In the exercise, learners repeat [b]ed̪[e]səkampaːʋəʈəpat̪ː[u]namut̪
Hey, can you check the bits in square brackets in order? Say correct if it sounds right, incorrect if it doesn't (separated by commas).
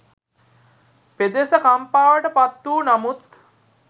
incorrect, correct, incorrect